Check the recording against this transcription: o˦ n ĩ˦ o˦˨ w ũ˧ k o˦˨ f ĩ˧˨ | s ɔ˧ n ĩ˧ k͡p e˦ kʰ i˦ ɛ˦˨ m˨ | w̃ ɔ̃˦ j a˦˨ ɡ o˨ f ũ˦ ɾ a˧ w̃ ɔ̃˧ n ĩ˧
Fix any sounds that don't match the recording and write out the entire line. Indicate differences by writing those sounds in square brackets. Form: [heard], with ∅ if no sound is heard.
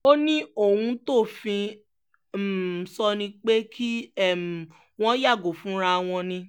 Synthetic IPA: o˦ n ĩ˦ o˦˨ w ũ˧ [t] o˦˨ f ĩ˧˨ | s ɔ˧ n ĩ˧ k͡p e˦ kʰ i˦ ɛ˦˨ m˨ | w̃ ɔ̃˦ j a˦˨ ɡ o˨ f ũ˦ ɾ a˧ w̃ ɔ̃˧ n ĩ˧